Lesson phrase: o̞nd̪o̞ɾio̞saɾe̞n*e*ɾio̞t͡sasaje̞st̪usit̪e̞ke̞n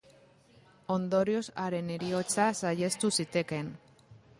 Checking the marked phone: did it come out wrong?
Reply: no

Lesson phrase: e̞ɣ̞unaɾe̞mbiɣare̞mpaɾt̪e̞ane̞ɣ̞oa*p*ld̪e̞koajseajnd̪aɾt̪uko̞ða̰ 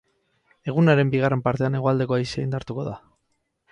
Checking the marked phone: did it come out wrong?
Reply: yes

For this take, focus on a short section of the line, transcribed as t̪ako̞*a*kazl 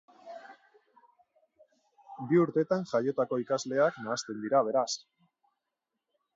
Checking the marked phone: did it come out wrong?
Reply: yes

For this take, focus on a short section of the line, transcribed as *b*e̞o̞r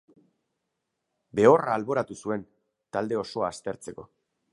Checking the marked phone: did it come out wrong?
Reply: no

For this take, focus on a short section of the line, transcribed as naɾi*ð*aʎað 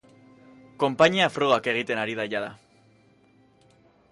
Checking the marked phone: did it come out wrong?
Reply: no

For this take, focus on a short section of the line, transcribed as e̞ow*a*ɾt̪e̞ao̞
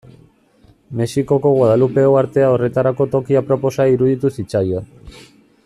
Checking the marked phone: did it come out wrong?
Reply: no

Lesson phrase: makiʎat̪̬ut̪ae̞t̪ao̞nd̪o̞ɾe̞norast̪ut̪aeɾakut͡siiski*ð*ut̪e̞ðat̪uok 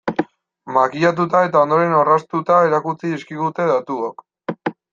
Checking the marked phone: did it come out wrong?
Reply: yes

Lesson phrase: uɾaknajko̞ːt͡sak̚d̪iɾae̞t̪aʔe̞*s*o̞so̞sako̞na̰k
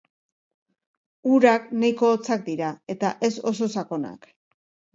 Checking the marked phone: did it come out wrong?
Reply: no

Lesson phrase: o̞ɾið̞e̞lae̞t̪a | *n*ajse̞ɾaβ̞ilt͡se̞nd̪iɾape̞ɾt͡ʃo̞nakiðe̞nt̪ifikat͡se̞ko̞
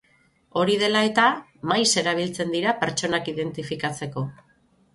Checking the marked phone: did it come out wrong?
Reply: yes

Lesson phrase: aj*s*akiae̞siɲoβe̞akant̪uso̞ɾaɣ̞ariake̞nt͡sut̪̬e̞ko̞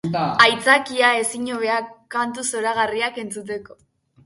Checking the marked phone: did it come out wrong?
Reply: yes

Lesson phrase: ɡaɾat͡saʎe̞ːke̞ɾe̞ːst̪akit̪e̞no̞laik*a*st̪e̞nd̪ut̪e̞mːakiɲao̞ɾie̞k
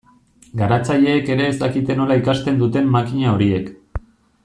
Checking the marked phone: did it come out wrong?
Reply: no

